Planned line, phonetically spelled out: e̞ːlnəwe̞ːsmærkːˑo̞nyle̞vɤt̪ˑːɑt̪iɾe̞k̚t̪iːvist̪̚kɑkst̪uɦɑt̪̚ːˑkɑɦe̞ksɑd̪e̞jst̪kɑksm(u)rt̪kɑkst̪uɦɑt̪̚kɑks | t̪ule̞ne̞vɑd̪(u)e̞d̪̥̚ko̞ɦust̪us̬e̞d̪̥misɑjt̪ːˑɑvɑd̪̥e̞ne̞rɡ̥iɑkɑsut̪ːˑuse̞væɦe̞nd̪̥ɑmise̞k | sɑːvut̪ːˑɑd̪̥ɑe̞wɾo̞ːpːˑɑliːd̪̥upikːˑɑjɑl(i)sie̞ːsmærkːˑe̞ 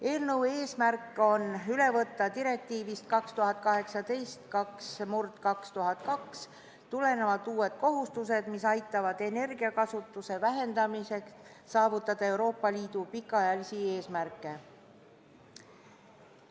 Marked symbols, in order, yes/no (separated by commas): yes, no, yes